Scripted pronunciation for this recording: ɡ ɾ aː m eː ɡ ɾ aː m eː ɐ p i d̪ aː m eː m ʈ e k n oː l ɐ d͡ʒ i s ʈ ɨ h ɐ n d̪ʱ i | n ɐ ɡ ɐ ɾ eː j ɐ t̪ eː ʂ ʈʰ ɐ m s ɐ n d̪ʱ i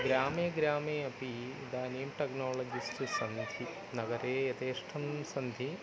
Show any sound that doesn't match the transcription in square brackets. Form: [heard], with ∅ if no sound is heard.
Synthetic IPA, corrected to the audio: ɡ ɾ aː m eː ɡ ɾ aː m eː ɐ p i d̪ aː [n] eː m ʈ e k n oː l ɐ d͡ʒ i s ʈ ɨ [s] ɐ n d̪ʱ i | n ɐ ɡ ɐ ɾ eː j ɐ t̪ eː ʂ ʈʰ ɐ m s ɐ n d̪ʱ i